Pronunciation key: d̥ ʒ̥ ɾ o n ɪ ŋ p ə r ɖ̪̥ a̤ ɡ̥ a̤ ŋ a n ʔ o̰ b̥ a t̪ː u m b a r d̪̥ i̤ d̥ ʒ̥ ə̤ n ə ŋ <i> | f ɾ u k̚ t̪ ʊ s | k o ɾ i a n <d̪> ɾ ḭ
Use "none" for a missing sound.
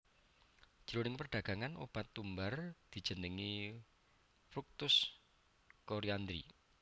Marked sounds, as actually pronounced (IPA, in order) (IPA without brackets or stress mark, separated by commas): i, d̪